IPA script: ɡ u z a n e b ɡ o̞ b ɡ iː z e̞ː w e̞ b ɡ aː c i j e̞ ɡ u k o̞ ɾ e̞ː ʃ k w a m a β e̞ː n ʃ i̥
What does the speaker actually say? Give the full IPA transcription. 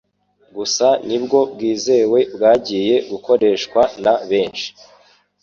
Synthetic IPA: ɡ u s a n i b ɡ o̞ b ɡ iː z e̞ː w e̞ b ɡ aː ɟ i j e̞ ɡ u k o̞ ɾ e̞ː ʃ k w a n a β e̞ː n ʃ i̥